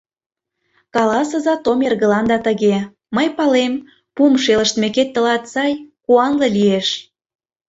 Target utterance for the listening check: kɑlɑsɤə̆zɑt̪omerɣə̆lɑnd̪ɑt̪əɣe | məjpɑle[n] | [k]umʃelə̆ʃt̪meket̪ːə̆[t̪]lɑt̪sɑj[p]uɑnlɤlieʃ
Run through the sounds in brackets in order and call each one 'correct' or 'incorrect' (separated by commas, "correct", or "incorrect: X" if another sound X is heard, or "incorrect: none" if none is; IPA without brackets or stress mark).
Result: incorrect: m, incorrect: p, incorrect: none, incorrect: k